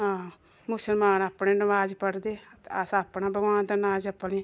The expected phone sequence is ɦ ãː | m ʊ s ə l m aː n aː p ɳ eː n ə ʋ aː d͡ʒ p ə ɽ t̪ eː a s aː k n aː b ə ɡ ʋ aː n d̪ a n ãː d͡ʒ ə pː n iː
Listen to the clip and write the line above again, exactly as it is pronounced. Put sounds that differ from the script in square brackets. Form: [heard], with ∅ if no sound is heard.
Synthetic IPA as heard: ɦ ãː | m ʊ s ə l m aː n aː p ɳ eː n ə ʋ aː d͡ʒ p ə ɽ [d̪] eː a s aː [p] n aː b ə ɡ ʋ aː n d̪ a n [aː] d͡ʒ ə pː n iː